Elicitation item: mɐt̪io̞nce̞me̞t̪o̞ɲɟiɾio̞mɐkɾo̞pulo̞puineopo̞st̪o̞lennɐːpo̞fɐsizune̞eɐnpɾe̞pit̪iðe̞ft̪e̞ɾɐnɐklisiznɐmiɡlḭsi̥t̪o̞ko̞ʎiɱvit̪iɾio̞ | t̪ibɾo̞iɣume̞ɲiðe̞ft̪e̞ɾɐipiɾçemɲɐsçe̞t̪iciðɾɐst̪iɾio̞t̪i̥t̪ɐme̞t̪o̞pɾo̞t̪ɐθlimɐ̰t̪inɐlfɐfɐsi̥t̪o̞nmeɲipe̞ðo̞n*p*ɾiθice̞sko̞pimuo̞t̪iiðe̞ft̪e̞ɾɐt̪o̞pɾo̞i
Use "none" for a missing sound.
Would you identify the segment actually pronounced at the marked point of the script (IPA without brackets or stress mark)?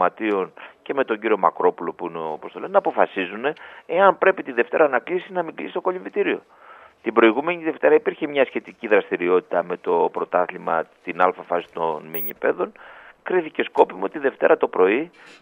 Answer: k